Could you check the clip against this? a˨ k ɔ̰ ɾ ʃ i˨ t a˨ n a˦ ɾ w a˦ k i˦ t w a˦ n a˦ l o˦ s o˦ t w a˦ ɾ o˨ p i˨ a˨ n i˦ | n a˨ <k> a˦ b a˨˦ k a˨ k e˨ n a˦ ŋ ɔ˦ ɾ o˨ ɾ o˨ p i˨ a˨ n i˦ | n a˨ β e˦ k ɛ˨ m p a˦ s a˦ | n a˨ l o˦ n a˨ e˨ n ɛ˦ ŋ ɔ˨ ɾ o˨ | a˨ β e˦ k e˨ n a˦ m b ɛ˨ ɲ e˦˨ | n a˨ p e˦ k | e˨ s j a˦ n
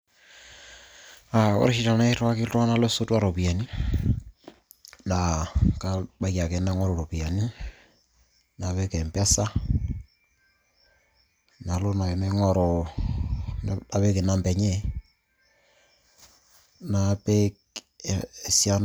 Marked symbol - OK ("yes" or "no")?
yes